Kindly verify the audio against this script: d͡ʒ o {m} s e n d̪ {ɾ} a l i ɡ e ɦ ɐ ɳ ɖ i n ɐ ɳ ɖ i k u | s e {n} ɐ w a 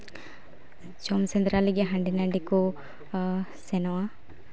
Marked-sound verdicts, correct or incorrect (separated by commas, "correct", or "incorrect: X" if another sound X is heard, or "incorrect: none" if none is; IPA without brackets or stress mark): correct, correct, correct